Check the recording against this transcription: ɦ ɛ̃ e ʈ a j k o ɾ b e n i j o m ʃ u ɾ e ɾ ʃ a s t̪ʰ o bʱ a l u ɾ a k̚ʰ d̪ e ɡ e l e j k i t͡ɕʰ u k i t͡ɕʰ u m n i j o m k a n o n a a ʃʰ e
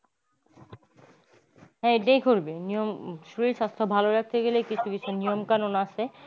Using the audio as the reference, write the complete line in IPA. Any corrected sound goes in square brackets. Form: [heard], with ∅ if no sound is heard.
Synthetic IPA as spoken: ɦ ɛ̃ e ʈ a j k o ɾ b e n i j o m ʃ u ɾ [i] ɾ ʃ a s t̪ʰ o bʱ a l [o] ɾ a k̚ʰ [t̪] e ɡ e l e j k i t͡ɕʰ u k i t͡ɕʰ u [∅] n i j o m k a n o n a a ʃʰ e